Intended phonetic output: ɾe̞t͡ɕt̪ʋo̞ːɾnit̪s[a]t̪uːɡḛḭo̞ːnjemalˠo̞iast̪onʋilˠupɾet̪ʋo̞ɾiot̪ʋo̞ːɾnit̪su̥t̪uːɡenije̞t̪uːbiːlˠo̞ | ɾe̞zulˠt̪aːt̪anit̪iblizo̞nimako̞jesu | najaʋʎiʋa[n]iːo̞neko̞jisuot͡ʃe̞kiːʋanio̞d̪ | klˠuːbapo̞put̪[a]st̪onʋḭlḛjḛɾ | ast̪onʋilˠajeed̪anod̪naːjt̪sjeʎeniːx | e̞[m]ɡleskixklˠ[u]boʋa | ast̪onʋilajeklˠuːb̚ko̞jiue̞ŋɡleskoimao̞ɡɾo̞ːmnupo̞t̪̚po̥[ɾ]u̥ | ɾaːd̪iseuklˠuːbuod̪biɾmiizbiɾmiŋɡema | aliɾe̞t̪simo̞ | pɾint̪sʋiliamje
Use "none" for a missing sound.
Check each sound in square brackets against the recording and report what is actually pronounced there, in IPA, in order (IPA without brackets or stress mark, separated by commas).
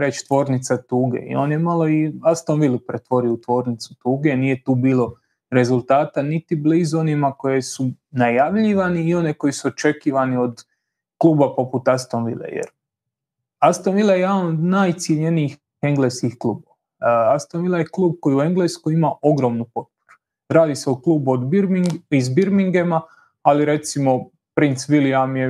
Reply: a, n, a, ŋ, uː, ɾ